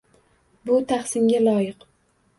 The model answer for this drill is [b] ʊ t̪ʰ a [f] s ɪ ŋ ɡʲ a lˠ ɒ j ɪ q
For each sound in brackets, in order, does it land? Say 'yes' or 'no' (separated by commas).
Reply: yes, no